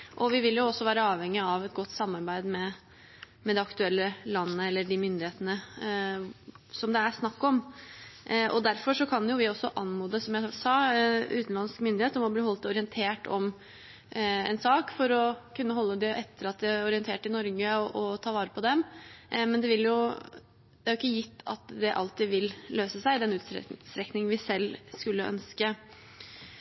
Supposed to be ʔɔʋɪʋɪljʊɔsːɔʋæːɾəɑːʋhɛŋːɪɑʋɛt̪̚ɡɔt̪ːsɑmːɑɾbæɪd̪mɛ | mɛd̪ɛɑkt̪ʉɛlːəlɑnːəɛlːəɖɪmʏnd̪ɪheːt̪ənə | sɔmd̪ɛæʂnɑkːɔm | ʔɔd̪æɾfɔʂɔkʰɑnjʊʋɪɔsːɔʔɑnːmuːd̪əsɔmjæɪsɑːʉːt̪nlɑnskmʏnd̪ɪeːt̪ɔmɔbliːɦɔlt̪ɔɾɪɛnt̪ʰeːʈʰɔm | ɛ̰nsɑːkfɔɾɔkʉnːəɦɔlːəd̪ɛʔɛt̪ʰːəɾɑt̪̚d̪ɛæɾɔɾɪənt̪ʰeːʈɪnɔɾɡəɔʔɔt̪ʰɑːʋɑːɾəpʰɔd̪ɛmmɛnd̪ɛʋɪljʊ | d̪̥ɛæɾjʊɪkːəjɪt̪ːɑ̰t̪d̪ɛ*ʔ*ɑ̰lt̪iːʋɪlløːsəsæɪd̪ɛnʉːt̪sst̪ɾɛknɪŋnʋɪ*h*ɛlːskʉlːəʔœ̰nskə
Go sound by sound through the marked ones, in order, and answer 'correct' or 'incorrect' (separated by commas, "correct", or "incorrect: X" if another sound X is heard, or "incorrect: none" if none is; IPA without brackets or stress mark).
correct, incorrect: s